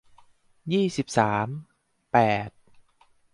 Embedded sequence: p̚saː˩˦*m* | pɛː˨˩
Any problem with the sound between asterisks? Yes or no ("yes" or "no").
no